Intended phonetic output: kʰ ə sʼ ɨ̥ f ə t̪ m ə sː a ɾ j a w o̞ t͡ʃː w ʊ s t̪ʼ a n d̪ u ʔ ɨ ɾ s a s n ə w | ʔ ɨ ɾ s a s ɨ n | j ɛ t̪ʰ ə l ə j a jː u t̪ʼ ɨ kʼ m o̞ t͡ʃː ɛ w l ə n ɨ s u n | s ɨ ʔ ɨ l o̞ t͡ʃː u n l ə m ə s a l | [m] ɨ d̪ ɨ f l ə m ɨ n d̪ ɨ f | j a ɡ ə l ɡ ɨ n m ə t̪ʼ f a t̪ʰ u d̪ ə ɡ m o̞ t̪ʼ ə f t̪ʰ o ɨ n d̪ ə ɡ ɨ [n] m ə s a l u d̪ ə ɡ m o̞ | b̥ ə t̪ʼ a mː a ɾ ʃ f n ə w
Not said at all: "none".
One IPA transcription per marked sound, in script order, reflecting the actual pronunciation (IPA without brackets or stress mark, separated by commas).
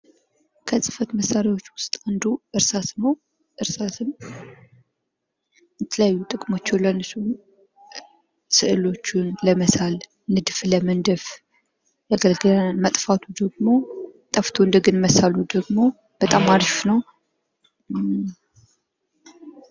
n, n